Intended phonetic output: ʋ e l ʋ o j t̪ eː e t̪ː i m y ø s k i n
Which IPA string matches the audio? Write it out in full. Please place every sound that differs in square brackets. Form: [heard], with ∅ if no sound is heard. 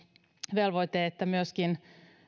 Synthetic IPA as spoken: ʋ e l ʋ o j t̪ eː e t̪ː [æ] m y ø s k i n